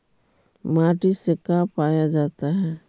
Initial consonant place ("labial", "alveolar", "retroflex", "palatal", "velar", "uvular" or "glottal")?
labial